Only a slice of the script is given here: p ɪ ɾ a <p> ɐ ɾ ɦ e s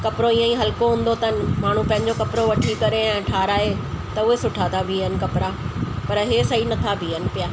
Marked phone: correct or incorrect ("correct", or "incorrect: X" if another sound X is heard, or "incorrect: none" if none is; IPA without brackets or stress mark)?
correct